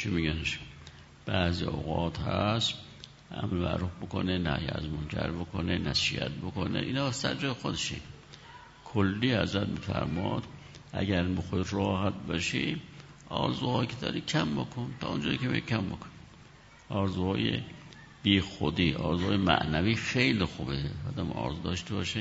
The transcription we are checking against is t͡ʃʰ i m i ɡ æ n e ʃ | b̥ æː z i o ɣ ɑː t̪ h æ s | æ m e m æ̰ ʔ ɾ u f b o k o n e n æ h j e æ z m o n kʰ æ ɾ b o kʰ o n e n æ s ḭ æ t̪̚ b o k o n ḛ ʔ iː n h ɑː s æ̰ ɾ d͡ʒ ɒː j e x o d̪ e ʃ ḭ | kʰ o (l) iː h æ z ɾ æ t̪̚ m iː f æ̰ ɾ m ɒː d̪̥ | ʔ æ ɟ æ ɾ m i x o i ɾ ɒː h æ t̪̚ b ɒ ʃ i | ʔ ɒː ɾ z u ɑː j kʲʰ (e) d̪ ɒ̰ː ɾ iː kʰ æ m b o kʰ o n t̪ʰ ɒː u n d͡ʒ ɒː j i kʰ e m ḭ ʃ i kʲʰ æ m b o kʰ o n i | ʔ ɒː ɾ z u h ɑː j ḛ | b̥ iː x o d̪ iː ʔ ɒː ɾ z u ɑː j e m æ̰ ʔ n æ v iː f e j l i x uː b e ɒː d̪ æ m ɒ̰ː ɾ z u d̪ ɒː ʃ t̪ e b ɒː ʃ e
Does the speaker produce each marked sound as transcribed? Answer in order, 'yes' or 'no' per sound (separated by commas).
no, yes